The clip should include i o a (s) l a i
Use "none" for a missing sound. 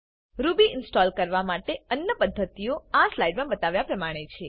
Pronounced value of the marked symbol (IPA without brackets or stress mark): s